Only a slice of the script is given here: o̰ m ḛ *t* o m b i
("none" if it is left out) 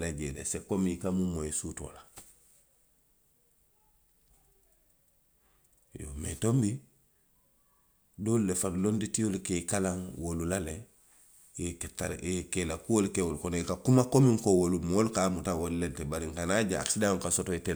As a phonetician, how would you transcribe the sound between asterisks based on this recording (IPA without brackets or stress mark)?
t